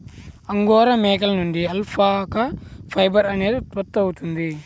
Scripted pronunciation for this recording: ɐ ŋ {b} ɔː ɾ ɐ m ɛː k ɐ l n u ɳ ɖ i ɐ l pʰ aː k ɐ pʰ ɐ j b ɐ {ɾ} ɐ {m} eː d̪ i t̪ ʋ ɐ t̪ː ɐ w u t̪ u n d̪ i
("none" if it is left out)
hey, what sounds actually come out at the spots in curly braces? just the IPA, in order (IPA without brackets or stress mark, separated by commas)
ɡ, ɾ, n